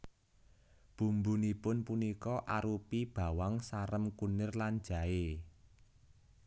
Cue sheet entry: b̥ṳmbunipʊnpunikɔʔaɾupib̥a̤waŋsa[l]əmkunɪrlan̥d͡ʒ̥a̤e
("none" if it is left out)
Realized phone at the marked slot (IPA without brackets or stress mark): ɾ